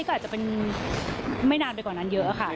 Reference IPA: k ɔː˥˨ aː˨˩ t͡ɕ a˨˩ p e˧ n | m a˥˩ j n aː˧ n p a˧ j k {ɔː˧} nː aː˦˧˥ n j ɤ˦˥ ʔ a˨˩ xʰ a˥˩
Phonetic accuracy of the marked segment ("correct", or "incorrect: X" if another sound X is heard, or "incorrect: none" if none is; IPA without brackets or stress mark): incorrect: ɔː˨˩